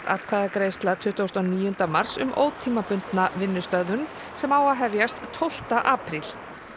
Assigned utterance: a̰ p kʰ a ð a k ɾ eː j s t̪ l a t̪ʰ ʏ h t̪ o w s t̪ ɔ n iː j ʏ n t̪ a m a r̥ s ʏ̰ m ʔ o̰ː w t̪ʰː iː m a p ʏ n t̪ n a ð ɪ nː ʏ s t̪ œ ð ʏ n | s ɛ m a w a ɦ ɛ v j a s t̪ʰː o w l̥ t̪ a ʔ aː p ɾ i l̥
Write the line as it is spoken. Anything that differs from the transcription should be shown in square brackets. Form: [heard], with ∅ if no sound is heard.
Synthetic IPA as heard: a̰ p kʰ a ð a k ɾ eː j s t̪ l a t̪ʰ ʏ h t̪ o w s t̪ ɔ n iː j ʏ n t̪ a m a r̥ s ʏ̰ m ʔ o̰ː w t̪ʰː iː m a p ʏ n t̪ n a [v] ɪ nː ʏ s t̪ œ ð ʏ n | s ɛ m a w a ɦ ɛ v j a s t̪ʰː o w l̥ t̪ a ʔ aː p ɾ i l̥